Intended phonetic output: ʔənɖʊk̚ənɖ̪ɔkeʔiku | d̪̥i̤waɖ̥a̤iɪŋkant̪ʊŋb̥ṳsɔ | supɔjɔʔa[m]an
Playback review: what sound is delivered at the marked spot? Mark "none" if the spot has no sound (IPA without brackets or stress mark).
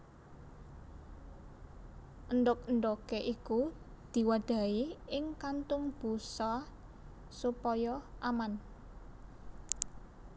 m